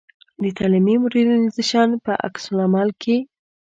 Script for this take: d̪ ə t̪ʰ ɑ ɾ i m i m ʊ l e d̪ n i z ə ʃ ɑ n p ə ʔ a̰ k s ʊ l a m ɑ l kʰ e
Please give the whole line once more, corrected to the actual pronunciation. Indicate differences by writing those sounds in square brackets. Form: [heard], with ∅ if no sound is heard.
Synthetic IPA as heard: d̪ ə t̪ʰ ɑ [l] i m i m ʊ [ɾ] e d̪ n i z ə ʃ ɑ n p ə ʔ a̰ k s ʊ l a m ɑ l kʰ e

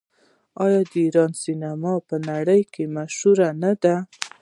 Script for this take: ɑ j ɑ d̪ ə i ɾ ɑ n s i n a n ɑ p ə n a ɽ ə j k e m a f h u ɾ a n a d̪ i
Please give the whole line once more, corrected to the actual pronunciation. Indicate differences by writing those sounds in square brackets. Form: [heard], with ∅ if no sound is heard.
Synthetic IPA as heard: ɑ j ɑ d̪ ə i ɾ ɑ n s i n a [m] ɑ p ə n a ɽ ə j k e m a [ʃ] h u ɾ a n a d̪ [a]

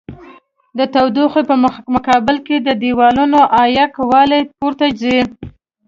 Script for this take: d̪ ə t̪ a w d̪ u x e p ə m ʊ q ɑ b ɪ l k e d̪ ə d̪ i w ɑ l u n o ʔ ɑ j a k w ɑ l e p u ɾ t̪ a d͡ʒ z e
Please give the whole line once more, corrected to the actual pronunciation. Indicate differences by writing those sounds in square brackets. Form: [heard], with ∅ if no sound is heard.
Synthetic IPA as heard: d̪ ə t̪ a w d̪ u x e p ə m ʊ [k] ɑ b ɪ l k e d̪ ə d̪ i w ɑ l u n o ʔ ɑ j a k w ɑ l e p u ɾ t̪ a d͡ʒ z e

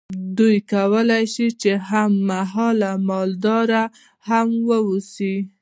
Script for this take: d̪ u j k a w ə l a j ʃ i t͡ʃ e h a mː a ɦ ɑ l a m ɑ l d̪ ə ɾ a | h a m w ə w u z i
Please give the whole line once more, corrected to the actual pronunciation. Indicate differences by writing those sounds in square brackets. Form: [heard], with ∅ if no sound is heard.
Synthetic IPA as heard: d̪ u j k a w ə l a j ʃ i t͡ʃ e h a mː a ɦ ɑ l a m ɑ l d̪ [ɑ] ɾ a | h a m w ə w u [s] i

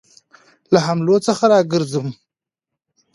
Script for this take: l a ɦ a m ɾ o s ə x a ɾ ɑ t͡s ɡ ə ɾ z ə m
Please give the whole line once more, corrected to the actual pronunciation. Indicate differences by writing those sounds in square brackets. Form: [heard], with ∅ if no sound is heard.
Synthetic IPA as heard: l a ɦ a m [l] o [t͡s] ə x a ɾ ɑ [∅] ɡ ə ɾ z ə m

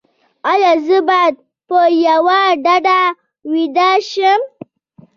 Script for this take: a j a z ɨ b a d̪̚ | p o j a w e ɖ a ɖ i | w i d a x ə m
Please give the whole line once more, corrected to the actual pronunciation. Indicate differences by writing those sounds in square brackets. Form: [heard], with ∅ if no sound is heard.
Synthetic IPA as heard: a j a z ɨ b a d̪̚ | p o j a w [a] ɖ a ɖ [a] | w i d a [ʃ] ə m

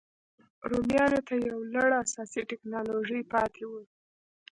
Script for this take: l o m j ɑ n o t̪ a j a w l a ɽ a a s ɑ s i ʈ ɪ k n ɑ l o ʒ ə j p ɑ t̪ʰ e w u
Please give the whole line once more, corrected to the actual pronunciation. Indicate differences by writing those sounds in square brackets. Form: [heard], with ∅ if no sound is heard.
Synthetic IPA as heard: [ɾ] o m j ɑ n o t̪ a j a w l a ɽ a a s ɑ s i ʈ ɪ k n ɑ l o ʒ ə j p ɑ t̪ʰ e w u

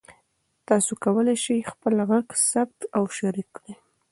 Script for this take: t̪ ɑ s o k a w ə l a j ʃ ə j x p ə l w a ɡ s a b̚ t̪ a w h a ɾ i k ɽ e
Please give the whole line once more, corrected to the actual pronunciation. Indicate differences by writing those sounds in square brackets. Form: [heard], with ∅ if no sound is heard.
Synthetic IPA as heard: t̪ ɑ s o k a w ə l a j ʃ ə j x p ə l [ɣ] a ɡ s a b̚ t̪ a w [ʃ] a ɾ i k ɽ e

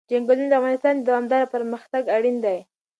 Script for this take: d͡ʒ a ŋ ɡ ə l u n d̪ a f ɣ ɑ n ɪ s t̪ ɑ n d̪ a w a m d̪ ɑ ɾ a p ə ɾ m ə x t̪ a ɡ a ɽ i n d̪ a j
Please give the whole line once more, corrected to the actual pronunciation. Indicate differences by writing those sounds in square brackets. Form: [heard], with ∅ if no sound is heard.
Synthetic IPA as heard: d͡ʒ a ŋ ɡ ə l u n d̪ a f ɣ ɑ n ɪ s t̪ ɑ n d̪ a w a m d̪ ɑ ɾ a p ə ɾ m ə x t̪ a ɡ a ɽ i n d̪ a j

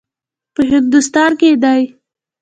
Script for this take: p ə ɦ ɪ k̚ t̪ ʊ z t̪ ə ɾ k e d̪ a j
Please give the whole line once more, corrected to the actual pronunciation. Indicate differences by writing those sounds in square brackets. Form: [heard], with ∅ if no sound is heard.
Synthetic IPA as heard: p ə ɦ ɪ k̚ [d̪] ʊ [s] t̪ [ɑ] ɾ k e d̪ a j

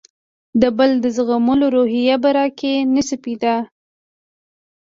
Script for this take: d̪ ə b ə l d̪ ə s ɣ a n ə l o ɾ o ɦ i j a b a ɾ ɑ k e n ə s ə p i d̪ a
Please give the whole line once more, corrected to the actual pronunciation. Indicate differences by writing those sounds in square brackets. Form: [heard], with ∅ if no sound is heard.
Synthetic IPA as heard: d̪ ə b ə l d̪ ə [z] ɣ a [m] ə l o ɾ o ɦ i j a b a ɾ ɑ k e n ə s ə p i d̪ a

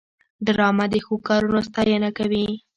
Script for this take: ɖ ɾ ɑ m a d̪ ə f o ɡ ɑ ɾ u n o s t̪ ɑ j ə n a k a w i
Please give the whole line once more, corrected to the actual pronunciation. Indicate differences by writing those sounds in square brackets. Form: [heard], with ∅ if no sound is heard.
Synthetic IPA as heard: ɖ ɾ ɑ m a d̪ ə [x] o [k] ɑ ɾ u n o s t̪ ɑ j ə n a k a w i

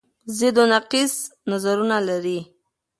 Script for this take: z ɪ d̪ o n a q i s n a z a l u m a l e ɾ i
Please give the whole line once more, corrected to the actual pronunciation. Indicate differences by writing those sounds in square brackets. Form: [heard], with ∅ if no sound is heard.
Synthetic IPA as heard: z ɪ d̪ o n a q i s n a z a [ɾ] u [n] a l [a] ɾ i

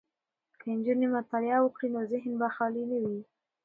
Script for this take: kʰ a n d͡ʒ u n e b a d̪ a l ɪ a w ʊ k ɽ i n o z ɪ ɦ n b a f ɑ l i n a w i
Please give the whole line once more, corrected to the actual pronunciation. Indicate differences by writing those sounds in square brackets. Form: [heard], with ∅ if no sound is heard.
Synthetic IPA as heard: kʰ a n d͡ʒ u n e [m] a [t̪] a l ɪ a w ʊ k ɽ i n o z ɪ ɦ n b a [x] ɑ l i n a w i

